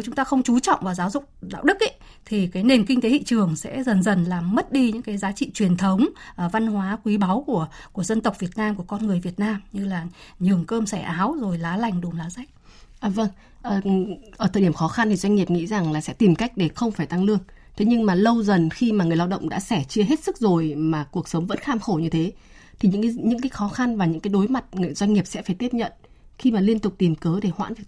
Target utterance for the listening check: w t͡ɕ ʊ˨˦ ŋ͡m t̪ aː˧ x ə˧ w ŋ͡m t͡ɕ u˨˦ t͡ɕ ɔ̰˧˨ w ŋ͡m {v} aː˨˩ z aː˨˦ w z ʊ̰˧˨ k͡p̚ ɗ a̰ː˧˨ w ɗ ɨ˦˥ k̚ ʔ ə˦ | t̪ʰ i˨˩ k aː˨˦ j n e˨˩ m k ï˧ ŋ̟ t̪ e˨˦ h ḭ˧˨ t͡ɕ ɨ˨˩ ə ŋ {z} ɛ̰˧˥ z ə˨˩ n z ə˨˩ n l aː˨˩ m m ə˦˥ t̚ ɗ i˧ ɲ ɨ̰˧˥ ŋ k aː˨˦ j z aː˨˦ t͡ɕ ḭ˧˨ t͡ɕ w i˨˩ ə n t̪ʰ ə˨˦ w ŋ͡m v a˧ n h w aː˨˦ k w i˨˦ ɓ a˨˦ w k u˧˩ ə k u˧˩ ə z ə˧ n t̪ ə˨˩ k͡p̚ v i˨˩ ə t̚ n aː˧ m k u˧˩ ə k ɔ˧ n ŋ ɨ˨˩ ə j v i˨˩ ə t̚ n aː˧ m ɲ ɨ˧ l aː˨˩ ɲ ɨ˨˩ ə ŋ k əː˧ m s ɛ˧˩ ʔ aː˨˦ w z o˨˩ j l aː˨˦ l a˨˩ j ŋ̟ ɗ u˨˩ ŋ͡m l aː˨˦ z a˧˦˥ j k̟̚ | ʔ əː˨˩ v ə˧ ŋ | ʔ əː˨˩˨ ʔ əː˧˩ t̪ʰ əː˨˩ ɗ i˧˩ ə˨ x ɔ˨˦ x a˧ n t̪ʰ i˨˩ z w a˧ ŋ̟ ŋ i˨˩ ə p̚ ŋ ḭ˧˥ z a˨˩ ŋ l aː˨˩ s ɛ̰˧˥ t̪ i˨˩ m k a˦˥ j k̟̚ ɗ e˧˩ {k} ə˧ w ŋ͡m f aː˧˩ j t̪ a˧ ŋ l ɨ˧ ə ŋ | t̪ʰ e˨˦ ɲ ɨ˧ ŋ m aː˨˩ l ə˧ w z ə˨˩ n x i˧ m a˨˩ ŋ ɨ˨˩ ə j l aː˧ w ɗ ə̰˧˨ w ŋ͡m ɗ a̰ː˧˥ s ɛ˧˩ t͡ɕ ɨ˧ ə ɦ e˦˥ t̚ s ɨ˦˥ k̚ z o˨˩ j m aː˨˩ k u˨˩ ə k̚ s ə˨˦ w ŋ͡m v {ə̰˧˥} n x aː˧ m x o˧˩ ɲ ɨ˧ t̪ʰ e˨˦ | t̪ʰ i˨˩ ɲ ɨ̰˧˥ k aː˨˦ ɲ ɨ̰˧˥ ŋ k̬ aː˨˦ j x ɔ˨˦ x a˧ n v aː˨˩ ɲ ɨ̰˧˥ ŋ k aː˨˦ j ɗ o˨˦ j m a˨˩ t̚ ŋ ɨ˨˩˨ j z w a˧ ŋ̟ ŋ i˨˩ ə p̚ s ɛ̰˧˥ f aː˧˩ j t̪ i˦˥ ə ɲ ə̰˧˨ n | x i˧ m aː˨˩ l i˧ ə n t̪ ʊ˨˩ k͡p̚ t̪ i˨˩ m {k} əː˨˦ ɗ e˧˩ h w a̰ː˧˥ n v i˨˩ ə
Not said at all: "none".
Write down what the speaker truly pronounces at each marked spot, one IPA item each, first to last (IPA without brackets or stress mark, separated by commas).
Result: v, s, x, ə̰˧˥, k